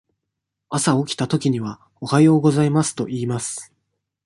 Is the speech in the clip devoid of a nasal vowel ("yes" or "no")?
yes